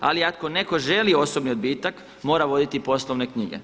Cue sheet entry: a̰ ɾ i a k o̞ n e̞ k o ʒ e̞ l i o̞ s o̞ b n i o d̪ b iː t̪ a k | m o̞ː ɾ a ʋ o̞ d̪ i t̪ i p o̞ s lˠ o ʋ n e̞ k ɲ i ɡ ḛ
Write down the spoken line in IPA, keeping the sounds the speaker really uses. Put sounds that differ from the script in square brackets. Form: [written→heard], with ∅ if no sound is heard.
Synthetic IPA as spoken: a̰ [ɾ→l] i a k o̞ n e̞ k o ʒ e̞ l i o̞ s o̞ b n i o d̪ b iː t̪ a k | m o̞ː ɾ a ʋ o̞ d̪ i t̪ i p o̞ s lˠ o ʋ n e̞ k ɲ i ɡ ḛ